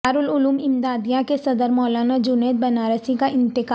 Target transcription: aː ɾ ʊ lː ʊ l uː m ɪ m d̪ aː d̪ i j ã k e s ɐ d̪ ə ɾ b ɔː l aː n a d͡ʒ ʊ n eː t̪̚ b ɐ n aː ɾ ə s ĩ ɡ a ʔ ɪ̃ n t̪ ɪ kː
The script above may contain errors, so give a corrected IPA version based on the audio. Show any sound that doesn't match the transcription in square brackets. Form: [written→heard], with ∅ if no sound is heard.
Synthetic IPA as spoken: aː ɾ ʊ [lː→l] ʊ l uː m ɪ m d̪ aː d̪ i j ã k e s ɐ d̪ ə ɾ [b→m] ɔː l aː n a d͡ʒ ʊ n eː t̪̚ b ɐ n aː ɾ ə s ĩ [ɡ→k] a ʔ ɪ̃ n t̪ ɪ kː